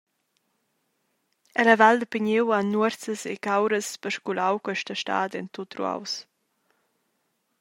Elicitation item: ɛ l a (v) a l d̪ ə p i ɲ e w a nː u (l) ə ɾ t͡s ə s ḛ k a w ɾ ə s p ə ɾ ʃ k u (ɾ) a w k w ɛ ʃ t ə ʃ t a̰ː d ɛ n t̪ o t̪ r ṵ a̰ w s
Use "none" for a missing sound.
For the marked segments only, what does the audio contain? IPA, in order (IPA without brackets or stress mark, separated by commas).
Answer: v, none, l